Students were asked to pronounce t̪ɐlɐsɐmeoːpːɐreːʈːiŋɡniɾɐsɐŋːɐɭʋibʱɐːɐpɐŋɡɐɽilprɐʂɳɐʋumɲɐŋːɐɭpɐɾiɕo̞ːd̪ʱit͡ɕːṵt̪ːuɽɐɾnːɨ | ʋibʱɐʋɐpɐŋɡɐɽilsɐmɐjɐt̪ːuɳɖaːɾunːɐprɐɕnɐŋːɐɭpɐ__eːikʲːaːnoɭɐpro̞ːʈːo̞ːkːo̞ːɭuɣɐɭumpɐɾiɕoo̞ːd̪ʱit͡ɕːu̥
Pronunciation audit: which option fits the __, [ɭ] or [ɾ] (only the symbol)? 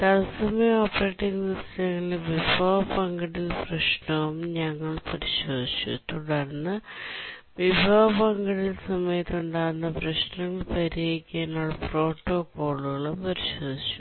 ɾ